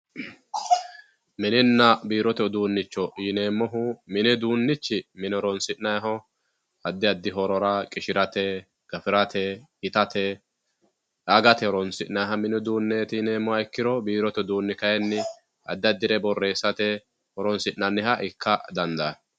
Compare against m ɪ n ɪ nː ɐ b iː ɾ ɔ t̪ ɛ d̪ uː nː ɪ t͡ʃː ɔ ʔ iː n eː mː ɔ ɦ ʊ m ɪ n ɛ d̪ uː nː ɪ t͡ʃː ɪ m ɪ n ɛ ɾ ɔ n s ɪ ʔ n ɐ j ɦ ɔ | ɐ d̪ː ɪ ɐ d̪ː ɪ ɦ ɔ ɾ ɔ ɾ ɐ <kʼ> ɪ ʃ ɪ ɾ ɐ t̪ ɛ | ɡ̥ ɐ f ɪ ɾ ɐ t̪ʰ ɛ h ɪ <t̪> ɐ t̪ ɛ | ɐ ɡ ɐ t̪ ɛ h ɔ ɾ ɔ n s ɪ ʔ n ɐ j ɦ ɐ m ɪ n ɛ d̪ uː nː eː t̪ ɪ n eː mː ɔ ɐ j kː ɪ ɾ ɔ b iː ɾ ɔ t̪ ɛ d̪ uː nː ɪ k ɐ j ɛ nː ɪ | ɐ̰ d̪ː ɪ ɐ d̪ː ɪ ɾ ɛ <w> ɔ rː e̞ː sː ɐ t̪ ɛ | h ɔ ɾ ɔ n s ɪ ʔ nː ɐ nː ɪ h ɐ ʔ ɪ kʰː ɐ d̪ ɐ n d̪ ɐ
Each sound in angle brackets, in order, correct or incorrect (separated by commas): correct, correct, incorrect